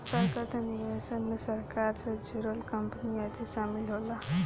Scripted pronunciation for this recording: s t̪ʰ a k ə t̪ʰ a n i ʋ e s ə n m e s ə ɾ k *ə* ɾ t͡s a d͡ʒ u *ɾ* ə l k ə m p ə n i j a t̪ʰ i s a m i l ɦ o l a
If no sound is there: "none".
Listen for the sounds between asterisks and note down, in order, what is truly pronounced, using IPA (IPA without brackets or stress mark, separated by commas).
a, ɾ